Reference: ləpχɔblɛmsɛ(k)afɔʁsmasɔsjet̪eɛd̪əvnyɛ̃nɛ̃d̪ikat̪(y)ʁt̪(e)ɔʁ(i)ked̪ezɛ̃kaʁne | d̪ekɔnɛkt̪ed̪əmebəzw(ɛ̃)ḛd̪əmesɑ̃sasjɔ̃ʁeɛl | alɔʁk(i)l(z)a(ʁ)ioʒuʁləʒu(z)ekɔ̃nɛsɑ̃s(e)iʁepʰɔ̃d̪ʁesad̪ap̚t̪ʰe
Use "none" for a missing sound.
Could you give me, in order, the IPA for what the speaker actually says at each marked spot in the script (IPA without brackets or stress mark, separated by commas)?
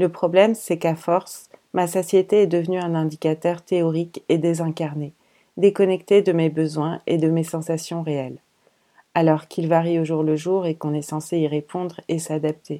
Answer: k, œ, e, i, ɛ̃, i, v, ʁ, ʁ, e